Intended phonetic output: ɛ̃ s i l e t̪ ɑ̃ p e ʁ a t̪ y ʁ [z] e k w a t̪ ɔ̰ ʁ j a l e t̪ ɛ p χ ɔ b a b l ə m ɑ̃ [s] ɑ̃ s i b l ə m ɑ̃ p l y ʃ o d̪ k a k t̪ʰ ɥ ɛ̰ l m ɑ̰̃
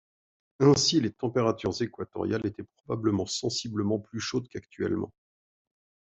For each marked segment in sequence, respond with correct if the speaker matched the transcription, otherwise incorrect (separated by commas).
correct, correct